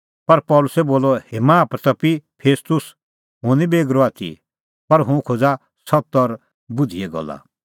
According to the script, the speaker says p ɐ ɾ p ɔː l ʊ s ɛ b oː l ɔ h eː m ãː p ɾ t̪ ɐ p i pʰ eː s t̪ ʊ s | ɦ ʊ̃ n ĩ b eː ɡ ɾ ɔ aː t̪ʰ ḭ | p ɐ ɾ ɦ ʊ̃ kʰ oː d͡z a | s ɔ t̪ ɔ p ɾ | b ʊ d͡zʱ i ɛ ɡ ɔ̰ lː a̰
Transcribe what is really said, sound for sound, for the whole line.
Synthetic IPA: p ɐ ɾ p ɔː l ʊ s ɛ b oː l ɔ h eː m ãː p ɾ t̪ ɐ p i pʰ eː s t̪ ʊ s | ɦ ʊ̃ n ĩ b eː ɡ ɾ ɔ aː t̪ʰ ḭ | p ɐ ɾ ɦ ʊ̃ kʰ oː d͡z a | s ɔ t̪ ɔ ɾ | b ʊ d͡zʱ i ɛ ɡ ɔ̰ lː a̰